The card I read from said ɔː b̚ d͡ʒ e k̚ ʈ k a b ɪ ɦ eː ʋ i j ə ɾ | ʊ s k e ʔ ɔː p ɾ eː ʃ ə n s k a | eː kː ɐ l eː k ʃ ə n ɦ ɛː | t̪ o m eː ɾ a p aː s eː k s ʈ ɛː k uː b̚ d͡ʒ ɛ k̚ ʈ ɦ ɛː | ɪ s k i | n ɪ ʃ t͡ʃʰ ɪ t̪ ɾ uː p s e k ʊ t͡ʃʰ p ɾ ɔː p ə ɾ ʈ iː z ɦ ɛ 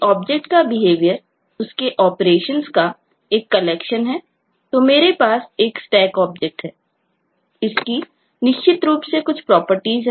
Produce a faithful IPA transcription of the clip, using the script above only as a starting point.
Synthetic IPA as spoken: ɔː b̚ d͡ʒ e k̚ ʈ k a b ɪ ɦ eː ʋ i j ə ɾ | ʊ s k e ʔ ɔː p ɾ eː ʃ ə n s k a | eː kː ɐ l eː k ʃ ə n ɦ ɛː | t̪ o m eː ɾ e p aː s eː k s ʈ ɛː k ɔː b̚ d͡ʒ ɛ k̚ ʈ ɦ ɛː | ɪ s k i | n ɪ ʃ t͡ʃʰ ɪ t̪ ɾ uː p s e k ʊ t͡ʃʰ p ɾ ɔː p ə ɾ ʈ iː z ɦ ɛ